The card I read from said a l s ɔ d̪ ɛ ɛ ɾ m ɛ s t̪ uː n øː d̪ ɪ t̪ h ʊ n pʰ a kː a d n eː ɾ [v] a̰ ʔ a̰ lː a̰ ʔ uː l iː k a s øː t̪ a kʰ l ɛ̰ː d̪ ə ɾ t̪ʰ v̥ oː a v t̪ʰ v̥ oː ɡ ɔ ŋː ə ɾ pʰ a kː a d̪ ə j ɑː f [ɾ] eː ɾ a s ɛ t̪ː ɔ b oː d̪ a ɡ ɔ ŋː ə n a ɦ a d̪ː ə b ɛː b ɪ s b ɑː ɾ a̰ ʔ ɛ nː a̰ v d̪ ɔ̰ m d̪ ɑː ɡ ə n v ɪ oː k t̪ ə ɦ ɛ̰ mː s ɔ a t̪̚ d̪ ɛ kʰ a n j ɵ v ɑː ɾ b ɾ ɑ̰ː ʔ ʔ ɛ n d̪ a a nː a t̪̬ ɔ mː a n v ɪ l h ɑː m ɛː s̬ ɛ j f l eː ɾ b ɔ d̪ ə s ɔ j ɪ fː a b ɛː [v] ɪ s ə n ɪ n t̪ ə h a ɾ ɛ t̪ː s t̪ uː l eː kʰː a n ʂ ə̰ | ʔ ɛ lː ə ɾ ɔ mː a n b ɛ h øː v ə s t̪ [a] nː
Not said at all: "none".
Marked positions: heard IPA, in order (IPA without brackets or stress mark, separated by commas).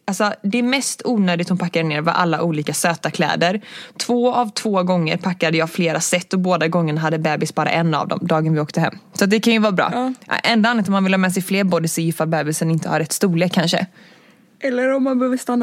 v, l, b, a